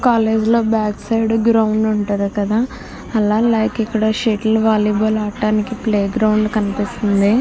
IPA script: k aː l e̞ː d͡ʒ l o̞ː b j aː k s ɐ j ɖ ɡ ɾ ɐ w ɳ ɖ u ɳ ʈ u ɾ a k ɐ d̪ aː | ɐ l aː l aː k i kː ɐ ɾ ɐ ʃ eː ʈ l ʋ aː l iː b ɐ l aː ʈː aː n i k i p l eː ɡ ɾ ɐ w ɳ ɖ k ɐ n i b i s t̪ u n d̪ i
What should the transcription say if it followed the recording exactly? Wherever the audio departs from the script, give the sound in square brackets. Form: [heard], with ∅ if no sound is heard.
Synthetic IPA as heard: k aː l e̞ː d͡ʒ l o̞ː b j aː k s ɐ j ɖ ɡ ɾ ɐ w ɳ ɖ u ɳ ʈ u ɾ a k ɐ d̪ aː | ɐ l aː l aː k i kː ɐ [ɽ] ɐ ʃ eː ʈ l ʋ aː l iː b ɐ l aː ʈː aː n i k i p l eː ɡ ɾ ɐ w ɳ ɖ k ɐ n i [p] i s t̪ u n d̪ i